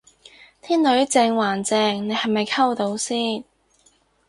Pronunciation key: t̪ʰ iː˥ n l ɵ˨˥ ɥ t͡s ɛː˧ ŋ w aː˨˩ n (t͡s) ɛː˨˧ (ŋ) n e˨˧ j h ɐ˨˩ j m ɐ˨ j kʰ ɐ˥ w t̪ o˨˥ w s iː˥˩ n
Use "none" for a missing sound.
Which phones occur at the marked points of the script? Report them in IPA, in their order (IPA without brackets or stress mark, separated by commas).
t͡s, ŋ